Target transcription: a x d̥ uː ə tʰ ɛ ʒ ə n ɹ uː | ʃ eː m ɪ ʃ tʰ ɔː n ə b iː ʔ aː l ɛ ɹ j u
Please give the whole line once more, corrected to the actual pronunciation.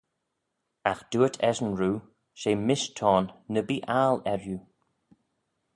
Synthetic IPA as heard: a x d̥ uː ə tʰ ɛ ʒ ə n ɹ uː | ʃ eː m ɪ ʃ tʰ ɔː nː ə b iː ʔ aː l ɛ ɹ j u